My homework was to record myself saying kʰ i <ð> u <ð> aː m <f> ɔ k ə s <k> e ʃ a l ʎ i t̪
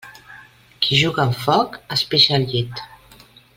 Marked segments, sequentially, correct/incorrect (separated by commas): incorrect, incorrect, correct, incorrect